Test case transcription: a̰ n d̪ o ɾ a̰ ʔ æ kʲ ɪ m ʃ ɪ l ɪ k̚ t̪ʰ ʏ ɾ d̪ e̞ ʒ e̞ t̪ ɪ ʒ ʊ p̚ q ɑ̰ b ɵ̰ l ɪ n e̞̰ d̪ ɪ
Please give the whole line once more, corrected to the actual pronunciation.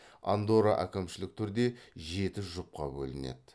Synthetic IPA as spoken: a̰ n d̪ o ɾ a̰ ʔ æ kʲ ɪ m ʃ ɪ l ɪ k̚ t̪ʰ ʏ ɾ d̪ e̞ ʒ e̞ t̪ ɪ ʒ ʊ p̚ q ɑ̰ b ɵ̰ l ɪ n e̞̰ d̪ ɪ

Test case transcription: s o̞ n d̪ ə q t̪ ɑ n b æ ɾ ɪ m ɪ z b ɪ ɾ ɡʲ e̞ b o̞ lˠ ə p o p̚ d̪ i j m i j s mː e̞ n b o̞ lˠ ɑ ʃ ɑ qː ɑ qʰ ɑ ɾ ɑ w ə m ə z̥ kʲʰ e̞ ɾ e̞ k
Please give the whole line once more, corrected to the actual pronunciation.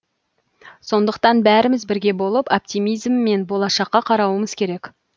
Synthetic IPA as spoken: s o̞ n d̪ ə q t̪ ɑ n b æ ɾ ɪ m ɪ z b ɪ ɾ ɡʲ e̞ b o̞ lˠ ə p o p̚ t̪ i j m i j z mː e̞ n b o̞ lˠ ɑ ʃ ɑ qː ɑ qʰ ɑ ɾ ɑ w ə m ə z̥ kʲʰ e̞ ɾ e̞ k

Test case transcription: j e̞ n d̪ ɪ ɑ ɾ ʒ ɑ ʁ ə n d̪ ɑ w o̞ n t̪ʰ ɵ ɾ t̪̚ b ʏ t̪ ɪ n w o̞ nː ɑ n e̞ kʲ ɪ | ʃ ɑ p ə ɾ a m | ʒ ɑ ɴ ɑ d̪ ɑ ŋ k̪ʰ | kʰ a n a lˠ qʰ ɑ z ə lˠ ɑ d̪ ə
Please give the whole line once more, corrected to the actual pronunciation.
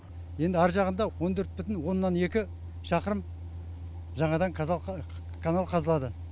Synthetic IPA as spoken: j e̞ n d̪ ɪ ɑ ɾ ʒ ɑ ʁ ə n d̪ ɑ w o̞ n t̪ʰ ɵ ɾ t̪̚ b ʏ t̪ ɪ n w o̞ nː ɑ n e̞ kʲ ɪ | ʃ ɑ q ə ɾ ə m | ʒ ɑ ɴ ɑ d̪ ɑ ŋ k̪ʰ | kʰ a n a lˠ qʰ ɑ z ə lˠ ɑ d̪ ə

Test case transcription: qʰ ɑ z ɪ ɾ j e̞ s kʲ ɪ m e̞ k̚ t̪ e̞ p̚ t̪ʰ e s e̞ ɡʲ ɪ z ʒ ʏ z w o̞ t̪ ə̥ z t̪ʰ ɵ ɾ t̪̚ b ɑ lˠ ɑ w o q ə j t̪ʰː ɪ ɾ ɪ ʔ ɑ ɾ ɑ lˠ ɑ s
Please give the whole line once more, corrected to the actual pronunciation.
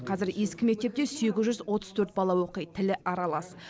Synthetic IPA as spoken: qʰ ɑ z ɪ ɾ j e̞ s kʲ ɪ m e̞ k̚ t̪ e̞ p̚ t̪ e s e̞ ɡʲ ɪ z ʒ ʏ z w o̞ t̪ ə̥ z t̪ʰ ɵ ɾ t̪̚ b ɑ lˠ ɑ w o q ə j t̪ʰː ɪ l ɪ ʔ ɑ ɾ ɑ lˠ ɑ s

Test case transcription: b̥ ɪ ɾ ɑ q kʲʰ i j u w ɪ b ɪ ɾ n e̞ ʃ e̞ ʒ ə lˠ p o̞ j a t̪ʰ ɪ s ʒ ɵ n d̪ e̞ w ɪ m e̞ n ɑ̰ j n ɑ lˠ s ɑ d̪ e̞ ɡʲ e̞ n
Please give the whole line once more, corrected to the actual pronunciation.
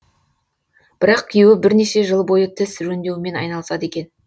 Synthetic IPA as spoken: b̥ ɪ ɾ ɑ q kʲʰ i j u w ɪ b ɪ ɾ n e̞ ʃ e̞ ʒ ə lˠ b o̞ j ə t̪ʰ ɪ s ʒ ɵ n d̪ e̞ w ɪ m e̞ n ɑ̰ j n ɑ lˠ s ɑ d̪ e̞ kʲ e̞ n

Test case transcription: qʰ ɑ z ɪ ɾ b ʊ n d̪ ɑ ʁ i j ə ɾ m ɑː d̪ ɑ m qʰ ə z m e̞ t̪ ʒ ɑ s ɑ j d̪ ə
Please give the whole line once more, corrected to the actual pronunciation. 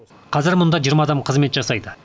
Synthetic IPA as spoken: qʰ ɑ z ɪ ɾ m ʊ n d̪ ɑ ʒ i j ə ɾ m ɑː d̪ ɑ m qʰ ə z m e̞ t̪ ʒ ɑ s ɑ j d̪ ə

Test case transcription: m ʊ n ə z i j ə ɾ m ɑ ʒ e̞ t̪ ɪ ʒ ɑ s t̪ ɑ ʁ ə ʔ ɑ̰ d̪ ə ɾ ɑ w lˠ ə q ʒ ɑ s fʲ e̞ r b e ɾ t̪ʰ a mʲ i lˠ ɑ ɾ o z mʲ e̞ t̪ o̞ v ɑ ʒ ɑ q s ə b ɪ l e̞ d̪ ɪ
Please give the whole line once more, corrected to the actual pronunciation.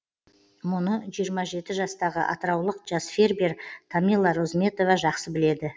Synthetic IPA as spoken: m ʊ n ə ʒ i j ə ɾ m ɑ ʒ e̞ t̪ ɪ ʒ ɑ s t̪ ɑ ʁ ə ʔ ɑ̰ t̪ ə ɾ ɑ w lˠ ə q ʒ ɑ s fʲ e̞ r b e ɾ t̪ʰ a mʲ i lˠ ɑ ɾ o z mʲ e̞ t̪ o̞ v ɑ ʒ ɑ q s ə b ɪ l e̞ d̪ ɪ

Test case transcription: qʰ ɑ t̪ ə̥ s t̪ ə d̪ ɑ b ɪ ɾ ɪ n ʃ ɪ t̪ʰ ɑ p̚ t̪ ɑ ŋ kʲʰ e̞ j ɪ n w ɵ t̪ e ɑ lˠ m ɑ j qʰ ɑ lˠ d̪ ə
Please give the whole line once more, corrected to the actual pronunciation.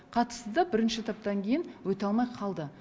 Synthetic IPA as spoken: qʰ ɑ t̪ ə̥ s t̪ ə d̪ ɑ b ɪ ɾ ɪ n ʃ ɪ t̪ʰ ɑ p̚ t̪ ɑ ŋ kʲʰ e̞ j ɪ n w ɵ t̪ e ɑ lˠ m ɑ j qʰ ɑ lˠ d̪ ə

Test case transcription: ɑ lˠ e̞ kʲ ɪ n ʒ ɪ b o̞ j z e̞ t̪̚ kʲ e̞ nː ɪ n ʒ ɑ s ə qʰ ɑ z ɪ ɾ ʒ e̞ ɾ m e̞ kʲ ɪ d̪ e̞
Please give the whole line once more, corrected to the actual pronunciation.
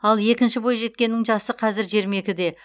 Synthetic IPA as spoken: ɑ lˠ e̞ kʲ ɪ n ʃ ɪ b o̞ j ʒ e̞ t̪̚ kʲ e̞ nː ɪ ŋ ʒ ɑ s ə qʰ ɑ z ɪ ɾ ʒ e̞ ɾ m e̞ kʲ ɪ d̪ e̞

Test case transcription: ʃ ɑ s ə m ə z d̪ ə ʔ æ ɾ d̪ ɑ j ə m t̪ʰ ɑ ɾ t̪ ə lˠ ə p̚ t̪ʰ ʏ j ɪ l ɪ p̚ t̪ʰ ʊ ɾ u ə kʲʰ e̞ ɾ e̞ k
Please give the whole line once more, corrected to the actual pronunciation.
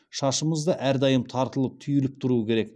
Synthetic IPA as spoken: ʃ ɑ ʃ ə m ə z d̪ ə ʔ æ ɾ d̪ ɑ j ə m t̪ʰ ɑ ɾ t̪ ə lˠ ə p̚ t̪ʰ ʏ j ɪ l ɪ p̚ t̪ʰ ʊ ɾ u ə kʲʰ e̞ ɾ e̞ k

